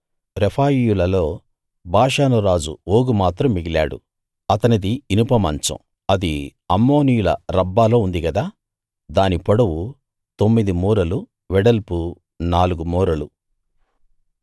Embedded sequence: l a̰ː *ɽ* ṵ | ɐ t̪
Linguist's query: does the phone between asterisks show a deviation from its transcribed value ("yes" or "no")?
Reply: no